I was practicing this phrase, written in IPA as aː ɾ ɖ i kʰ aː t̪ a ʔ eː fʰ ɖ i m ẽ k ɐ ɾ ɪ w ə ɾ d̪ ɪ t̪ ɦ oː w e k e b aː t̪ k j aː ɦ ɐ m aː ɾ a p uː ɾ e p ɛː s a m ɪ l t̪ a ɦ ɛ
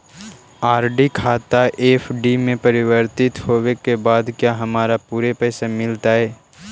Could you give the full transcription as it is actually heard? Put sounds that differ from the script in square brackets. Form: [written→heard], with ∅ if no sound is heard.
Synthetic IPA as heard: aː ɾ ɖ i kʰ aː t̪ a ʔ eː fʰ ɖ i m ẽ [k→p] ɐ ɾ ɪ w ə ɾ [d̪→t̪] ɪ t̪ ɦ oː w e k e b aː [t̪→d̪] k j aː ɦ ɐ m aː ɾ a p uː ɾ e p ɛː s a m ɪ l t̪ a ɦ [ɛ→ɛː]